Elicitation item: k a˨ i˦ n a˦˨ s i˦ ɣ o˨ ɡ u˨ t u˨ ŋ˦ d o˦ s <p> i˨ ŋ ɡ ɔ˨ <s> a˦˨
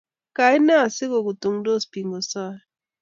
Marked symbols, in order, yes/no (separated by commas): yes, yes